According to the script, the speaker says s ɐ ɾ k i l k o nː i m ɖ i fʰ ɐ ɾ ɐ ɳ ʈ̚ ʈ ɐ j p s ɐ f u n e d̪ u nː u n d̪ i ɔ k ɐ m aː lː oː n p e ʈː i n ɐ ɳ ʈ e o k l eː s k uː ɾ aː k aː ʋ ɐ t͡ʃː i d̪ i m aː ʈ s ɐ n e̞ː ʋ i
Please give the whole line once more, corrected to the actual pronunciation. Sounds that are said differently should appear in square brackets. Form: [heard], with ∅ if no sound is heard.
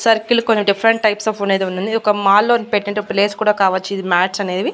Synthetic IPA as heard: s ɐ ɾ k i l k o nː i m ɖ i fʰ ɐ ɾ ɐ ɳ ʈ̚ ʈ ɐ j p s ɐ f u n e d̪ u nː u n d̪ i ɔ k ɐ m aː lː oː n p e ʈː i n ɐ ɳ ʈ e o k l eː s k uː [ɽ] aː k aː ʋ ɐ t͡ʃː i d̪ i m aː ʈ s ɐ n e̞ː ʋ i